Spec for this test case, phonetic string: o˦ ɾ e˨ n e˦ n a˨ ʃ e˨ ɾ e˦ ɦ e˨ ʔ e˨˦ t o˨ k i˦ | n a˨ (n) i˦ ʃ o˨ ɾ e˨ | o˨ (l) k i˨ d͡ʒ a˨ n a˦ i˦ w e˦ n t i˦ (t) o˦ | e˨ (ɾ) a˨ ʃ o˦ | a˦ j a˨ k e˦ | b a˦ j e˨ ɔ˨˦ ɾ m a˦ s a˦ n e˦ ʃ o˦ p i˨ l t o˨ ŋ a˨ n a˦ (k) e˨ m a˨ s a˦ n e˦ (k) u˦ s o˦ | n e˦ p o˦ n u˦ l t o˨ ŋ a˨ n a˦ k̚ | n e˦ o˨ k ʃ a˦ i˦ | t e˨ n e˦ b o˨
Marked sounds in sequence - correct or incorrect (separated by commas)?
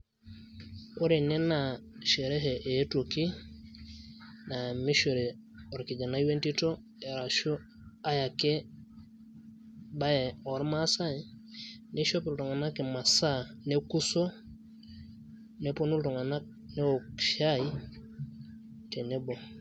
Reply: incorrect, incorrect, correct, correct, correct, correct